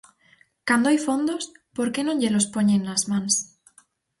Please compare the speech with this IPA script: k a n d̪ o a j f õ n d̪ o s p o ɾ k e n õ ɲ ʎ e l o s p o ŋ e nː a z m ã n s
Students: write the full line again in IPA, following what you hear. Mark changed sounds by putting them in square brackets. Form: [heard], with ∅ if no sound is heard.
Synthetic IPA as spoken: k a n d̪ o a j f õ n d̪ o s p o ɾ k e n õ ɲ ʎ e l o s p o [ɲ] e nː a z m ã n s